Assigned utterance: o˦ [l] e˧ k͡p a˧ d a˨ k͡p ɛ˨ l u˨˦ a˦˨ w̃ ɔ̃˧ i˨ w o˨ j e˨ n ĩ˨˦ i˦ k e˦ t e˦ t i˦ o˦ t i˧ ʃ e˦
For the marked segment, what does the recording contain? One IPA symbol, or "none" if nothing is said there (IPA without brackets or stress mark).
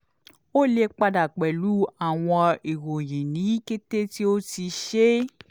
l